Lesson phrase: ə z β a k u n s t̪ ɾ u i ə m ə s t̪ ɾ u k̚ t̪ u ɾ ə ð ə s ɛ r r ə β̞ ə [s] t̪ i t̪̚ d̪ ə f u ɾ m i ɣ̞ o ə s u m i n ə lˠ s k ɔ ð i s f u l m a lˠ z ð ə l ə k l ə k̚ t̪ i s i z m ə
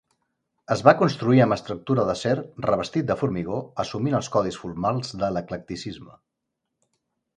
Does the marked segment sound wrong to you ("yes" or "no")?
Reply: no